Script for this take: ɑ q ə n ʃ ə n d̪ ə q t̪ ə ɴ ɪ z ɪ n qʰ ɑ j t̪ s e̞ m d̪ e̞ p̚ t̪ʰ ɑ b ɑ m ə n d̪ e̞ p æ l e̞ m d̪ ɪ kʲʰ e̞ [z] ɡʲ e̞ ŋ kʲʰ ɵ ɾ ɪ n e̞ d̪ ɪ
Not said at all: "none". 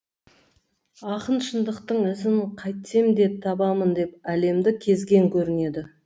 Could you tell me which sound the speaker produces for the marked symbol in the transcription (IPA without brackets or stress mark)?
z